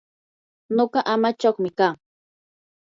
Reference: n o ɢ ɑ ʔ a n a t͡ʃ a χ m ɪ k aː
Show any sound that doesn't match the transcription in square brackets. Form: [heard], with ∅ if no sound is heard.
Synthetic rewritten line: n o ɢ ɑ ʔ a [m] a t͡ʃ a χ m ɪ k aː